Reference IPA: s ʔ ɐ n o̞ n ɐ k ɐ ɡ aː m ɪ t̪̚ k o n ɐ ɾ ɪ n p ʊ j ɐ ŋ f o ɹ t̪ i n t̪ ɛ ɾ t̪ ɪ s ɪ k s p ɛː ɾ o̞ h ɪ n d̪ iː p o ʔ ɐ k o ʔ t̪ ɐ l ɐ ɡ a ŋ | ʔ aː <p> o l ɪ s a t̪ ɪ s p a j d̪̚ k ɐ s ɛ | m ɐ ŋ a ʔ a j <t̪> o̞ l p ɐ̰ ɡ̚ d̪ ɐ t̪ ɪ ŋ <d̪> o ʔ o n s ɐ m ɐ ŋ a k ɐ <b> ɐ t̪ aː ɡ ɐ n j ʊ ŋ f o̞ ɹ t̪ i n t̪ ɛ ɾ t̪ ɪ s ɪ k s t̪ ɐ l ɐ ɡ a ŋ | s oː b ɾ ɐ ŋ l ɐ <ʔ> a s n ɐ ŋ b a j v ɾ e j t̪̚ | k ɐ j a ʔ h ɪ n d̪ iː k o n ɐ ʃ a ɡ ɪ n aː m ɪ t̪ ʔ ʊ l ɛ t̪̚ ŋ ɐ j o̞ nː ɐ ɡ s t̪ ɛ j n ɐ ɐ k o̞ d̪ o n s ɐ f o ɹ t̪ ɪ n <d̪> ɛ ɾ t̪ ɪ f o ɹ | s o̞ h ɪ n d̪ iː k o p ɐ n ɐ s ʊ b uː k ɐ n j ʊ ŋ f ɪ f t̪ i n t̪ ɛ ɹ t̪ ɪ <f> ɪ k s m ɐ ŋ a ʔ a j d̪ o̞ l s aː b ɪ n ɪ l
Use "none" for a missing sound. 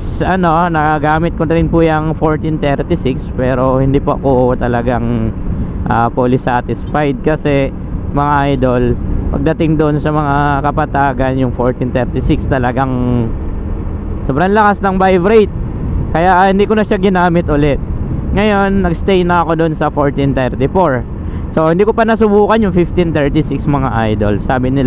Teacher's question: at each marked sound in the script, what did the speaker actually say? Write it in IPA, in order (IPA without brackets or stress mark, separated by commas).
p, d̪, d̪, p, k, t̪, s